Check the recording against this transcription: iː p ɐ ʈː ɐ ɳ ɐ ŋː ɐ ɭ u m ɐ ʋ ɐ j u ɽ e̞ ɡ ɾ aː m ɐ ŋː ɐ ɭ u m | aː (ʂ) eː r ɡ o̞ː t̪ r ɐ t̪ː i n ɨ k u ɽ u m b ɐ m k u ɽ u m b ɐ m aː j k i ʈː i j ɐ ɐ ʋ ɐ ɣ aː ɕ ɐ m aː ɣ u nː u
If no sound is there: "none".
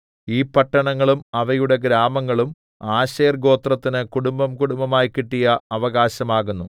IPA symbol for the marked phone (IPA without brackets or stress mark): ɕ